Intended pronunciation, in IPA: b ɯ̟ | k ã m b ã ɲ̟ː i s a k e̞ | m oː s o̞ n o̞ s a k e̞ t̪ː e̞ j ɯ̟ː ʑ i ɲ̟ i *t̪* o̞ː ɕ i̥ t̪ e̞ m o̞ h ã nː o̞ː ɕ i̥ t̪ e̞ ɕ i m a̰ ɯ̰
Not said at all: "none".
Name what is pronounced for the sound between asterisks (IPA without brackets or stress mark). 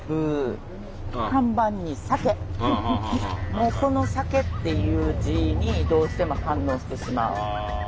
d̪